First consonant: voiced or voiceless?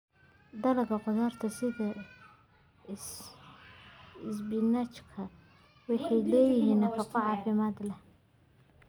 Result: voiced